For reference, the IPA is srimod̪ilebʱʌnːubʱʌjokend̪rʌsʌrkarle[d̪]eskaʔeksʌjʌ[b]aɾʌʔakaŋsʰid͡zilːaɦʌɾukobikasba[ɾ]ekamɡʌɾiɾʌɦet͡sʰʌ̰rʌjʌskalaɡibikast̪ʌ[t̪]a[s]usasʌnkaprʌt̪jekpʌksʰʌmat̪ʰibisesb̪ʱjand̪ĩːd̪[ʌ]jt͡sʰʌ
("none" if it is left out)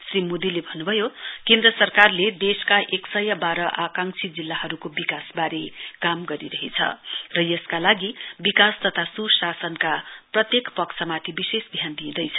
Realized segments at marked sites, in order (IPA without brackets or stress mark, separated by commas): d̪, b, ɾ, t̪ʰ, s, ʌ